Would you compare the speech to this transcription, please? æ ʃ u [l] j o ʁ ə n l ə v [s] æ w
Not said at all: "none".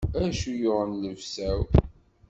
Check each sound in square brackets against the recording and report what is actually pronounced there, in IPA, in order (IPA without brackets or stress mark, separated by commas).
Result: none, s